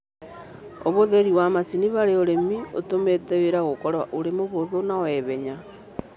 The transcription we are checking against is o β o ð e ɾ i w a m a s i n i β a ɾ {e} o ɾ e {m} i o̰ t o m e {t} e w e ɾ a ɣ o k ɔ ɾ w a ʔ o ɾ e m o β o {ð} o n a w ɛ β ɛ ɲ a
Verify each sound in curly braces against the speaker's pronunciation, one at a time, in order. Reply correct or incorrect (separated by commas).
correct, correct, correct, correct